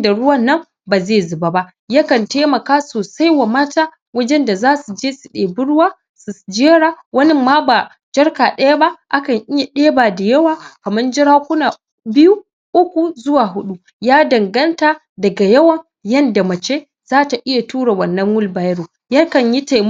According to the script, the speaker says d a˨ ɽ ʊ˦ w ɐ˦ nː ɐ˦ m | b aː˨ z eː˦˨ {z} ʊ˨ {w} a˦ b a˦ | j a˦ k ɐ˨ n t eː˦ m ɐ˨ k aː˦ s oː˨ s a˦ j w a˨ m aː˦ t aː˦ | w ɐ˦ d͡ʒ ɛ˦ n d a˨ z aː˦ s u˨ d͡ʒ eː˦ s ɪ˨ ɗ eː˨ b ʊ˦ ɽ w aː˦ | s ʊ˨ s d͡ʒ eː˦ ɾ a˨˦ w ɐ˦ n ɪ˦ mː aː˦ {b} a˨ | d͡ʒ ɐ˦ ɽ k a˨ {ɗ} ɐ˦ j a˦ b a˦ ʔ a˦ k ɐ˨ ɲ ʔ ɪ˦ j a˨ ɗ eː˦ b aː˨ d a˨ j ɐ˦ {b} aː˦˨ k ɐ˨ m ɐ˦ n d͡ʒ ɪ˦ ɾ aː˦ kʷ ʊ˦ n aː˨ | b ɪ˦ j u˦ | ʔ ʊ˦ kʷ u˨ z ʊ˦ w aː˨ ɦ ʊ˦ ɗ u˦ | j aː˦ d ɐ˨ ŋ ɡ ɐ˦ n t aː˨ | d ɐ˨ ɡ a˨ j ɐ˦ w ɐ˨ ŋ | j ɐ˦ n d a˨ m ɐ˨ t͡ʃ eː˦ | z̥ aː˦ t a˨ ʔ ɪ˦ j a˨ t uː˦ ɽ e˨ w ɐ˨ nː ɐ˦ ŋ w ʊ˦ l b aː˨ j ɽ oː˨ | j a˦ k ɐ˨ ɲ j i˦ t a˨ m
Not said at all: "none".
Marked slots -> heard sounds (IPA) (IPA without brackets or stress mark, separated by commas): z, b, b, ɗ, w